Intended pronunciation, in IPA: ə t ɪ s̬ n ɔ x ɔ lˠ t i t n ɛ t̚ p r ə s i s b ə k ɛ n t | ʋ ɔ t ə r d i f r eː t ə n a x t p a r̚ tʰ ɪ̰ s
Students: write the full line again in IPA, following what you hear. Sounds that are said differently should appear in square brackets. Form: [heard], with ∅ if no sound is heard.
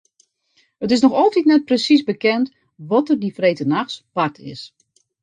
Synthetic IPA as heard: ə t ɪ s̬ n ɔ x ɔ lˠ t i t n ɛ t̚ p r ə s i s b ə k ɛ n t | ʋ ɔ t ə r d i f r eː t ə n a x [s] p a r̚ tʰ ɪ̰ s